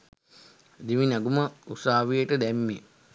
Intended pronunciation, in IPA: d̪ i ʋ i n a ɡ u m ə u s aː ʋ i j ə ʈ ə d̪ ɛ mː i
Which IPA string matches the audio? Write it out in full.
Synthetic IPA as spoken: d̪ i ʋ i n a ɡ u m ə u s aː ʋ i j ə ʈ ə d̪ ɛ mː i